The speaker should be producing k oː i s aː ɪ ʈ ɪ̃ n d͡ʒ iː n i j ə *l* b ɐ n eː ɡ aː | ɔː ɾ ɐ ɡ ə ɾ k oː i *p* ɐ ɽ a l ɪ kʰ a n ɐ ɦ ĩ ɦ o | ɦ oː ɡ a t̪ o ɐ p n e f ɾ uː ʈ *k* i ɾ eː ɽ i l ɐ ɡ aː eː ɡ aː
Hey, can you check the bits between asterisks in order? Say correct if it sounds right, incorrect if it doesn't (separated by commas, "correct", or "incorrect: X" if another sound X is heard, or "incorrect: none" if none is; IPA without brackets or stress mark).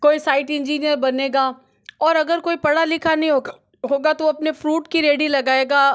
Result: incorrect: ɾ, correct, correct